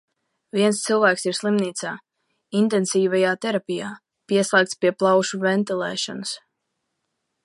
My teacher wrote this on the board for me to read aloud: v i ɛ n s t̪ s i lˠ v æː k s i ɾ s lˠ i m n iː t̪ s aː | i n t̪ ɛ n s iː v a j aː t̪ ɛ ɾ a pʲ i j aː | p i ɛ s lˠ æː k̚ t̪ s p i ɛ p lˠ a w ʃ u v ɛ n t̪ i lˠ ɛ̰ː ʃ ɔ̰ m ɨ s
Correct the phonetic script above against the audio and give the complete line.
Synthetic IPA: v i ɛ n s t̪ s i lˠ v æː k s i ɾ s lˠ i m n iː t̪ s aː | i n t̪ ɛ n s iː v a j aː t̪ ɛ ɾ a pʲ i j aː | p i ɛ s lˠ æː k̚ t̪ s p i ɛ p lˠ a w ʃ u v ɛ n t̪ i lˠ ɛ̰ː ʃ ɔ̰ n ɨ s